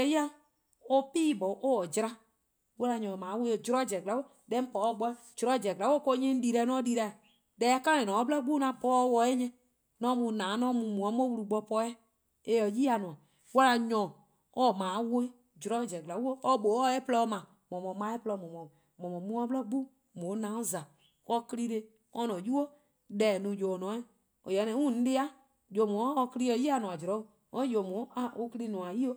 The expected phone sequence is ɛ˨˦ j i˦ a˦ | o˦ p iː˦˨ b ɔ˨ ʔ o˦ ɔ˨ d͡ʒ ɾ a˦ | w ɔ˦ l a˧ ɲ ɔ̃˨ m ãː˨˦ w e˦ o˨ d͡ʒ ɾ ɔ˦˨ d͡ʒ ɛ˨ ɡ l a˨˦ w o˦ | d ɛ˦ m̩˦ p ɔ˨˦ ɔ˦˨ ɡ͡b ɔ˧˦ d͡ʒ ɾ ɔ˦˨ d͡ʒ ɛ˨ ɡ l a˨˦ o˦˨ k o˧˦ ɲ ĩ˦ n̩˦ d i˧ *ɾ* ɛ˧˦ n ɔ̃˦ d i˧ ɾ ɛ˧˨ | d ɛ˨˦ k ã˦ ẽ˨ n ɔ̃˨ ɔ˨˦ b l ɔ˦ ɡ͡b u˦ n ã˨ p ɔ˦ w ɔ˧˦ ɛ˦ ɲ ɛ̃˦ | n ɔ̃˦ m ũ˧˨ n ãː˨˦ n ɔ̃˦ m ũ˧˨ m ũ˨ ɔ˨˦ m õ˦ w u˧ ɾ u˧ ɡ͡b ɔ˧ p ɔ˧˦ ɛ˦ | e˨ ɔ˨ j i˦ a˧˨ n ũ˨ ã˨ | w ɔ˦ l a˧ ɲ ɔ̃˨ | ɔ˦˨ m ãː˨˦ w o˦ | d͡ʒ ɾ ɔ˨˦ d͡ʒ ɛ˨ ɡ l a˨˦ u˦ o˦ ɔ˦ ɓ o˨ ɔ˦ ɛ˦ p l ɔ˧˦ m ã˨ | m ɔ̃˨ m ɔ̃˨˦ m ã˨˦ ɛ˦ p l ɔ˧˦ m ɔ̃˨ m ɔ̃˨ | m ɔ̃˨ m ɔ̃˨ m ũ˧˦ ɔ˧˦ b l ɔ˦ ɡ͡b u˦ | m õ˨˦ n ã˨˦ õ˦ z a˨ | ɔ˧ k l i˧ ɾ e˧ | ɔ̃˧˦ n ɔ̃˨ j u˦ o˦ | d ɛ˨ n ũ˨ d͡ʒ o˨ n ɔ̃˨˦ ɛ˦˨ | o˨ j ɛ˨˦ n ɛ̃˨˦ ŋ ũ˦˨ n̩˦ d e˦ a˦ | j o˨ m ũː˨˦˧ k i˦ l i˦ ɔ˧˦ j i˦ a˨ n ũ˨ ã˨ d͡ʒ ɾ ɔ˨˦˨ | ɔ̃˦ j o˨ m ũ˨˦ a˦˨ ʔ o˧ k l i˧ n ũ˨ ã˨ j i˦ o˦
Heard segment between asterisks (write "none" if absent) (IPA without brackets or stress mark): ɾ